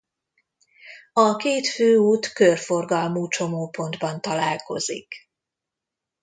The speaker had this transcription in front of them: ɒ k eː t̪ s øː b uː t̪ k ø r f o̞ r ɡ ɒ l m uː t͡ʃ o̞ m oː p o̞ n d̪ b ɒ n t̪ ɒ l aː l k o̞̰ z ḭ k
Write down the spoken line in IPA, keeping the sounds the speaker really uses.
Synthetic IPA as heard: ɒ k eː t̪ f øː uː t̪ k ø r f o̞ r ɡ ɒ l m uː t͡ʃ o̞ m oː p o̞ n d̪ b ɒ n t̪ ɒ l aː l k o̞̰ z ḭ k